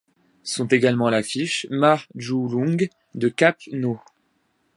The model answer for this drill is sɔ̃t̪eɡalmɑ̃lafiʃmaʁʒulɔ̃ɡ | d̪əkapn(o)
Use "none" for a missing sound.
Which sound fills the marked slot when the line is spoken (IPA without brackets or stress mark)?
o